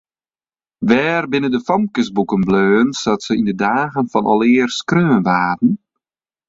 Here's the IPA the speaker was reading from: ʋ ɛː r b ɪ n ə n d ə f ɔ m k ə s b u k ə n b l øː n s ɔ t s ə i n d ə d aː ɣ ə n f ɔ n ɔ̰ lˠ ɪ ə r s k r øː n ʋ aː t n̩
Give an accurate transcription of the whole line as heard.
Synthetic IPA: ʋ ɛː r b ɪ n ə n d ə f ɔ m k ə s b u k ə n b l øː n s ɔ t s ə i n d ə d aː ɣ ə n f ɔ n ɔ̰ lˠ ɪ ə r s k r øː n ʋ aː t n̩